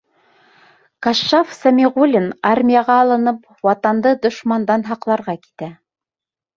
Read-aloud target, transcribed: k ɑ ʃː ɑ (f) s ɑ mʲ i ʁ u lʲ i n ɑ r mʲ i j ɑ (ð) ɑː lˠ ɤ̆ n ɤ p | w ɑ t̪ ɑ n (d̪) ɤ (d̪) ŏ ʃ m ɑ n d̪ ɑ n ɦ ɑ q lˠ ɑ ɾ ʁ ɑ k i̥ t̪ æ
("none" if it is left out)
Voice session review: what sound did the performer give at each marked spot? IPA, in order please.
f, ʁ, d̪, d̪

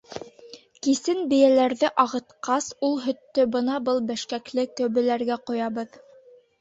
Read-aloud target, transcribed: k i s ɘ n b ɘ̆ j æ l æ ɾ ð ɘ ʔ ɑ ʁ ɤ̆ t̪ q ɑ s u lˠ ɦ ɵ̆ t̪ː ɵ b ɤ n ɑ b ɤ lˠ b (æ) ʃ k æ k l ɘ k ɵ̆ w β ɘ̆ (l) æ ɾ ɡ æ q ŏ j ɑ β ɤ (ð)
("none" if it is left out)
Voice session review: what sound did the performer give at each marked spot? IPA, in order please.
æ, l, ð

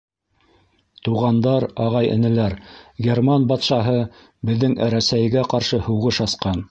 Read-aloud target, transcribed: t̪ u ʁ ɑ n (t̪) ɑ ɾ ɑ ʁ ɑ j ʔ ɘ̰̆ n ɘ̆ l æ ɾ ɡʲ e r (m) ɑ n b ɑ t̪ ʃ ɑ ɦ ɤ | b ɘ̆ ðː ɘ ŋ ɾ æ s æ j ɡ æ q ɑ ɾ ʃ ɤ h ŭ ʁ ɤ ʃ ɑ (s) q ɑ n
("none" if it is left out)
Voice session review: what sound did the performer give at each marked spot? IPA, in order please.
d̪, m, s

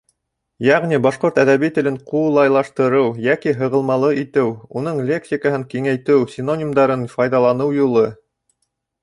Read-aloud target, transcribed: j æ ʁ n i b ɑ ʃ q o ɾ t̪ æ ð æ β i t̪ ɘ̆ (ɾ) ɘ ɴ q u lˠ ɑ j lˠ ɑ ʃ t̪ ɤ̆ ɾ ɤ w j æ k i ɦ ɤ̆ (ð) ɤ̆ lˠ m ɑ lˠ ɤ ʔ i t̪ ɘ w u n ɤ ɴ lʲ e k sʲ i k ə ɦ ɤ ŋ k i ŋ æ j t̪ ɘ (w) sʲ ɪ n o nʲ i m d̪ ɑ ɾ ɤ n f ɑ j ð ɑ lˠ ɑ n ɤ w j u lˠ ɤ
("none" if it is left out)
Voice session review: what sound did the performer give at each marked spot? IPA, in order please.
l, ʁ, w

